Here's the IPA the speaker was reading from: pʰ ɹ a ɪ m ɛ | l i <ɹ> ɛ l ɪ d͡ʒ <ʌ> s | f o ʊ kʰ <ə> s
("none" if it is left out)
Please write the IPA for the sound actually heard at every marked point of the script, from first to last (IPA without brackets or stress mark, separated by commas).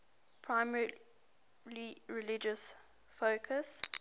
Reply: ɹ, ə, ə